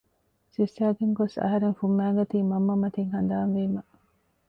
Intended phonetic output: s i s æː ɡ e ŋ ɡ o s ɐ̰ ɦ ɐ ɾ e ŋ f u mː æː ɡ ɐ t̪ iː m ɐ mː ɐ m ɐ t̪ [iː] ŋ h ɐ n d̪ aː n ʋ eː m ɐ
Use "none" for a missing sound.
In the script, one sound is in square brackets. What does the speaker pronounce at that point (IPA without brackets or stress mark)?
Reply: i